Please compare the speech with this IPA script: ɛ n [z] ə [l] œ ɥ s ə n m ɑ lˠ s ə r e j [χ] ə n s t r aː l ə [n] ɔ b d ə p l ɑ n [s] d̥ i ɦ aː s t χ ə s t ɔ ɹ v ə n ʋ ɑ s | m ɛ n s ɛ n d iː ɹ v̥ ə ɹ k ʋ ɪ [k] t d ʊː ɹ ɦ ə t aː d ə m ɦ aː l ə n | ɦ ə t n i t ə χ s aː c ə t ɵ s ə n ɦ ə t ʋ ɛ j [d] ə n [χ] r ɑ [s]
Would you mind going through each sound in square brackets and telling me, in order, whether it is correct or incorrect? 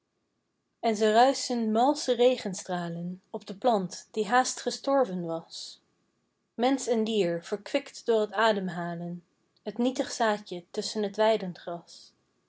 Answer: correct, incorrect, correct, correct, incorrect, correct, correct, correct, correct

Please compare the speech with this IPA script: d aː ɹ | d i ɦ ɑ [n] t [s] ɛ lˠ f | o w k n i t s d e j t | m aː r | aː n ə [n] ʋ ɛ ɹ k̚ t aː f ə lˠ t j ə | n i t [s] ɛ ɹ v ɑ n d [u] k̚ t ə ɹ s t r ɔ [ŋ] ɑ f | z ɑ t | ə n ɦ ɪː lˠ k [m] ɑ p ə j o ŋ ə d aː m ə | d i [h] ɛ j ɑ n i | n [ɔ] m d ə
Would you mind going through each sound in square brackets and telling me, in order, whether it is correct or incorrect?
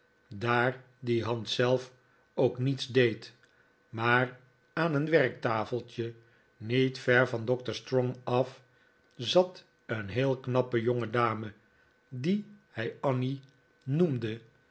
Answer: correct, correct, correct, incorrect, incorrect, correct, incorrect, correct, incorrect

